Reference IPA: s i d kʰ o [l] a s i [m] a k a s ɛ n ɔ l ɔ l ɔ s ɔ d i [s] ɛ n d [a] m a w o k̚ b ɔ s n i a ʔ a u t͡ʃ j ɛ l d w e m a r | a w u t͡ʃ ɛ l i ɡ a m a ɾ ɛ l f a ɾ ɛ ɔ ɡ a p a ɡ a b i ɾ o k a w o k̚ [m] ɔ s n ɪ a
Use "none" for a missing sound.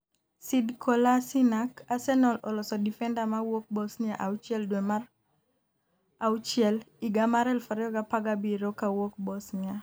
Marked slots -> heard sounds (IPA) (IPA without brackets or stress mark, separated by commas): l, n, f, a, b